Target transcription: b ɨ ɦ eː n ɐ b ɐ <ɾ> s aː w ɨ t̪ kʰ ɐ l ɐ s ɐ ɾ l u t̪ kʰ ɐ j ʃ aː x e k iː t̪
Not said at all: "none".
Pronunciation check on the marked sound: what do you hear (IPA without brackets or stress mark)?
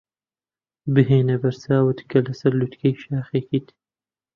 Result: ɾ